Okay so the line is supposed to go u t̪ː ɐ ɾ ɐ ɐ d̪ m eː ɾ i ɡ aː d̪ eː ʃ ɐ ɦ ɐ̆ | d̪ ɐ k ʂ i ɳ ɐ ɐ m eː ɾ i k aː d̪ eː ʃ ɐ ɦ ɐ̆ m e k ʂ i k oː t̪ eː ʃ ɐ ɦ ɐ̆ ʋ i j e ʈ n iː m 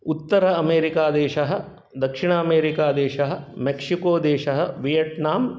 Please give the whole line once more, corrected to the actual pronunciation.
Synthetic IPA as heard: u t̪ː ɐ ɾ ɐ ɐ m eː ɾ i k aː d̪ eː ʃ ɐ ɦ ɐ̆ | d̪ ɐ k ʂ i ɳ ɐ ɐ m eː ɾ i k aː d̪ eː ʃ ɐ ɦ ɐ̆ m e k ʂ i k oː d̪ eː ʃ ɐ ɦ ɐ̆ ʋ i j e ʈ n aː m